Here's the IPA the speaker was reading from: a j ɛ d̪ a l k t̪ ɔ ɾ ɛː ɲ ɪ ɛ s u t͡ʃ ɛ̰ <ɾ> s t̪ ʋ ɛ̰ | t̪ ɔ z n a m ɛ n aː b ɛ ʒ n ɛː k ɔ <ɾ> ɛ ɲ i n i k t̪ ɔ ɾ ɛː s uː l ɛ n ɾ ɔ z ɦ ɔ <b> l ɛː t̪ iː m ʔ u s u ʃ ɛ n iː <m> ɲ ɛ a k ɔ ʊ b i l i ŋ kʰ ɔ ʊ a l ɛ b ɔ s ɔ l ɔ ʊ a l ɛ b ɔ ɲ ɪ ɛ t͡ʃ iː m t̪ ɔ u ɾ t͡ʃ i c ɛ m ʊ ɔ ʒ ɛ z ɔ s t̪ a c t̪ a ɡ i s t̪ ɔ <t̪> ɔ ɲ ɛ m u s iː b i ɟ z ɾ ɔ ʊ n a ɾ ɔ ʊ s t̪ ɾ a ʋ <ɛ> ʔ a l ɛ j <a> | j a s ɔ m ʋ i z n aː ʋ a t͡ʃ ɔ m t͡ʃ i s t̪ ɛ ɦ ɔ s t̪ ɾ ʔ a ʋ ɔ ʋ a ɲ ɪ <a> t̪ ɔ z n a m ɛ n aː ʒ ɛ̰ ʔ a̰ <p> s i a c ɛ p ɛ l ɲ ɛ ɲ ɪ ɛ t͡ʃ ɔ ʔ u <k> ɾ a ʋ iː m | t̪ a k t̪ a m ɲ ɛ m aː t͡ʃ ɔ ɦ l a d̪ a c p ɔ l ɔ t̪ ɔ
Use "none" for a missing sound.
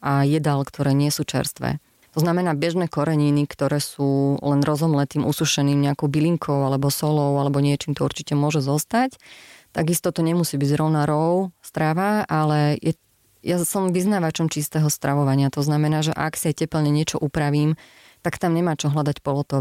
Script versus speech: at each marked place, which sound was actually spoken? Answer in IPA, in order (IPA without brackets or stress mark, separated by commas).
ɾ, ɾ, m, m, t̪, a, ɛ, a, k, p